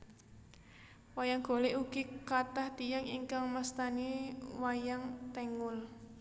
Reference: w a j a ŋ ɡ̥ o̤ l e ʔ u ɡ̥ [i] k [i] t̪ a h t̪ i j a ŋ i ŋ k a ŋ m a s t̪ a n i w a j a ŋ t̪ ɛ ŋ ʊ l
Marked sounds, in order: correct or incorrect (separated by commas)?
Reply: correct, incorrect